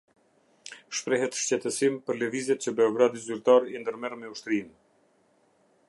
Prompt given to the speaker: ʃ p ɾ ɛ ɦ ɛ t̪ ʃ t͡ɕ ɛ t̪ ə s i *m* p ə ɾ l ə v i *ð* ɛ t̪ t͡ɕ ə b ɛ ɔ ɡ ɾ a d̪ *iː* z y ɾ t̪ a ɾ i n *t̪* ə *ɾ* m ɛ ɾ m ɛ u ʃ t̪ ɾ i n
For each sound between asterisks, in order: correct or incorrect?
correct, incorrect, incorrect, incorrect, correct

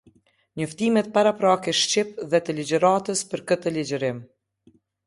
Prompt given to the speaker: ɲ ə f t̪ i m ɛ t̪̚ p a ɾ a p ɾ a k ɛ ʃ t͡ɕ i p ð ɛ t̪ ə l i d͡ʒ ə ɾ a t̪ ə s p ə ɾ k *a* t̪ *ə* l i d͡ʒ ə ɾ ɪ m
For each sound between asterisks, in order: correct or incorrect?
incorrect, correct

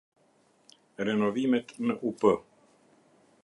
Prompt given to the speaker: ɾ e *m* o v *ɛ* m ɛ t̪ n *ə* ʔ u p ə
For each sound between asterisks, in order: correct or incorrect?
incorrect, incorrect, correct

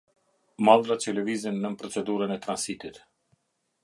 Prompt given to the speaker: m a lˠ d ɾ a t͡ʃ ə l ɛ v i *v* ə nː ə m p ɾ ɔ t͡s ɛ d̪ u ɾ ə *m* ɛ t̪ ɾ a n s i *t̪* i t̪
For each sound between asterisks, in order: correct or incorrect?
incorrect, incorrect, correct

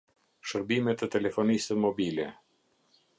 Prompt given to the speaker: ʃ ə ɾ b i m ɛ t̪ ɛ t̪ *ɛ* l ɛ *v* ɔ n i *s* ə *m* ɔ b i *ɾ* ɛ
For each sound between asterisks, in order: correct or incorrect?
correct, incorrect, correct, correct, incorrect

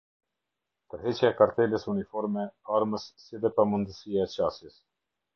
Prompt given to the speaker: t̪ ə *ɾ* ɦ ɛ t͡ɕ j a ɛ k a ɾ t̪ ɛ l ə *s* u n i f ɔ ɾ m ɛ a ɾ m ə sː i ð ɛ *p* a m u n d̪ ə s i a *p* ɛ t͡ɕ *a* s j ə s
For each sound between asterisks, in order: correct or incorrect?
correct, correct, correct, incorrect, correct

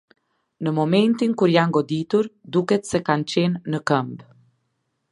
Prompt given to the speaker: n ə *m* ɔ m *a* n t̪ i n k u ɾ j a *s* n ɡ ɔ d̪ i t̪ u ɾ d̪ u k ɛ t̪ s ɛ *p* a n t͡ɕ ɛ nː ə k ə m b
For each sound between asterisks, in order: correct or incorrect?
correct, incorrect, incorrect, incorrect

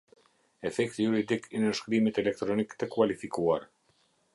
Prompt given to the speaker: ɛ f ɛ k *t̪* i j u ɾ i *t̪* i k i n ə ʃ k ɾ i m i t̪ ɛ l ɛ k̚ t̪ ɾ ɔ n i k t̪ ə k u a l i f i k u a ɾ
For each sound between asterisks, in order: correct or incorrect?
correct, incorrect

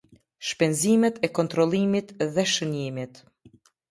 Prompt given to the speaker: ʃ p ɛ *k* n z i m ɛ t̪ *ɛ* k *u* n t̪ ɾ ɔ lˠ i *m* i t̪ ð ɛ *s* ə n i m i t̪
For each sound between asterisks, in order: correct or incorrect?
incorrect, correct, incorrect, correct, incorrect

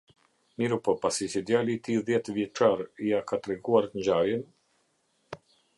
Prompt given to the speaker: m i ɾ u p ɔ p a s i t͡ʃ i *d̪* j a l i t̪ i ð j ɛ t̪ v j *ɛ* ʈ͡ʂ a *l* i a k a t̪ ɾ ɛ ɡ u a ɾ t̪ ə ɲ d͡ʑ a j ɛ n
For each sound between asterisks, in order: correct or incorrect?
correct, correct, incorrect

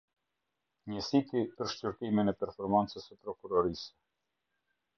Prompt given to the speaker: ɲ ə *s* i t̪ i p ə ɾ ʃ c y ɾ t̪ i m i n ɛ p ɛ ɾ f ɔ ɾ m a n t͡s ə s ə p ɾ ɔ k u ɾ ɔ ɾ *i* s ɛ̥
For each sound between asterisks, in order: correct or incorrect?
correct, correct

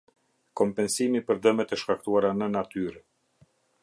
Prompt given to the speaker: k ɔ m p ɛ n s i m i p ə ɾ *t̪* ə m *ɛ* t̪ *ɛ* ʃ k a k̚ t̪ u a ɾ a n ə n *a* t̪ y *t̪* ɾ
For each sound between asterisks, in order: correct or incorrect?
incorrect, correct, correct, correct, incorrect

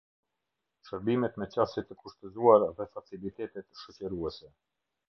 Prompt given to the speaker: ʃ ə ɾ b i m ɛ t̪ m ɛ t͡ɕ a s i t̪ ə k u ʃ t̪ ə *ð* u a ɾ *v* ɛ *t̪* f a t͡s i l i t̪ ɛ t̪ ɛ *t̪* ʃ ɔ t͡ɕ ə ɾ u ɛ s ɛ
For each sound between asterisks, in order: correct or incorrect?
incorrect, incorrect, incorrect, correct

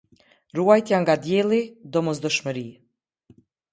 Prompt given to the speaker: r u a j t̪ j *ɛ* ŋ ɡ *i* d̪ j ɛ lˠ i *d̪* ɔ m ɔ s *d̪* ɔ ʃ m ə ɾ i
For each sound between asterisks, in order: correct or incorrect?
incorrect, incorrect, correct, correct

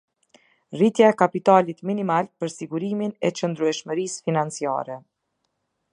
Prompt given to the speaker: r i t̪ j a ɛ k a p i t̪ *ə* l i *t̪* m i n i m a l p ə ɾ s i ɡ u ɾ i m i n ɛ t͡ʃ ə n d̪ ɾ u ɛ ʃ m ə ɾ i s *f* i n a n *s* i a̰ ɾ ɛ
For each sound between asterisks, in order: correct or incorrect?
incorrect, correct, correct, incorrect

